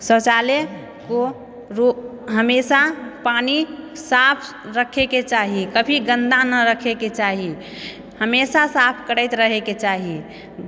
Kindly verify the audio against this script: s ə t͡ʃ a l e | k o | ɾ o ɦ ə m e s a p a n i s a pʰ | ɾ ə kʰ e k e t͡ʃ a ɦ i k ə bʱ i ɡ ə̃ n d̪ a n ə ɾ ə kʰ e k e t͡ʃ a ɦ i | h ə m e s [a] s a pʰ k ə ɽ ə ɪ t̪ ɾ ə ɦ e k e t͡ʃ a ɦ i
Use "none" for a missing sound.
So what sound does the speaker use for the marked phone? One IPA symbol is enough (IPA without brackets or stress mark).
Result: a